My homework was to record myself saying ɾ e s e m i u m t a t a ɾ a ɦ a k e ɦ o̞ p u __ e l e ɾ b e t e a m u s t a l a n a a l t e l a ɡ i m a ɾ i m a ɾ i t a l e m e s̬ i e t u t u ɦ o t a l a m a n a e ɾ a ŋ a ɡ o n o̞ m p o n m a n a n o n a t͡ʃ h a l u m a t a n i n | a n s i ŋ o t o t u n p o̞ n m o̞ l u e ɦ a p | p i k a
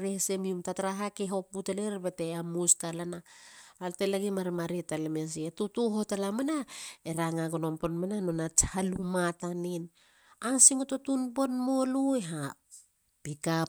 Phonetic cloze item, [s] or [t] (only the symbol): t